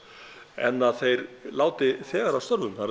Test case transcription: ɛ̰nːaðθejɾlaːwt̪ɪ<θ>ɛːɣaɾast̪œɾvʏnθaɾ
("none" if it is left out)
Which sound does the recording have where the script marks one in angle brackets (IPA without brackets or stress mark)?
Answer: θ